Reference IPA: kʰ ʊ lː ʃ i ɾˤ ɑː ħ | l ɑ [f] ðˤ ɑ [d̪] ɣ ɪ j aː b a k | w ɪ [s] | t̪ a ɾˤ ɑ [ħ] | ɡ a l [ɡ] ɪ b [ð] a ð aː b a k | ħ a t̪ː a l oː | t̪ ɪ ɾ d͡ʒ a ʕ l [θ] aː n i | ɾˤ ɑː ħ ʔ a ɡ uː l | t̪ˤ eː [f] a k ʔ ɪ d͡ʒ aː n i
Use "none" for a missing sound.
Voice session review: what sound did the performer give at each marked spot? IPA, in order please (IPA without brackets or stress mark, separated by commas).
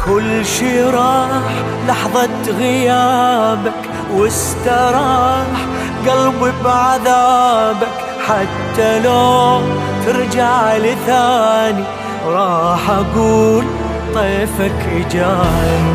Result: ħ, t̪, s, ħ, b, ʕ, θ, f